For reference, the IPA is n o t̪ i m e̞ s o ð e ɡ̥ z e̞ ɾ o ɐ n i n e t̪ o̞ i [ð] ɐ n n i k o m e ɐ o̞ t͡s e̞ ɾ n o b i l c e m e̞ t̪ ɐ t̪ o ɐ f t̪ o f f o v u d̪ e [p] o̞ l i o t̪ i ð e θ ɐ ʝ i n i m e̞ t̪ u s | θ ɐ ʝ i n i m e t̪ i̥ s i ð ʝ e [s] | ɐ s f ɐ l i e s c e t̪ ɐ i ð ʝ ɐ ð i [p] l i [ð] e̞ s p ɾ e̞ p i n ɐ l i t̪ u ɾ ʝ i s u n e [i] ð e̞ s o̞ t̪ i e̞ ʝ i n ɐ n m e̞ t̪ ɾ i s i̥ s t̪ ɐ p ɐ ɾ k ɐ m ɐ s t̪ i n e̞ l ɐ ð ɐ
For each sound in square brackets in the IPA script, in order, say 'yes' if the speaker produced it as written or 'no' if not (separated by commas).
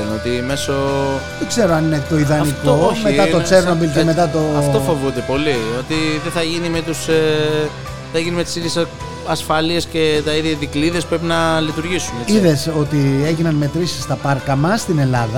yes, yes, yes, no, yes, yes